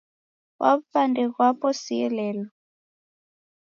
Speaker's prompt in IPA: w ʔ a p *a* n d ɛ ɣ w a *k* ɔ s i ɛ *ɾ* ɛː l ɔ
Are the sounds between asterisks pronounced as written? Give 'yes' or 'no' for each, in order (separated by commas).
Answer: yes, no, no